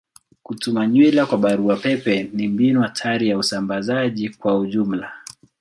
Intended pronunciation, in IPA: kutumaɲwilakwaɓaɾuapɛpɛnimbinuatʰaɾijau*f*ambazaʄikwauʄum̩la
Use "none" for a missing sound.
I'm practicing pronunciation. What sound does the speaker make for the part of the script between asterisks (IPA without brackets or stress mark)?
s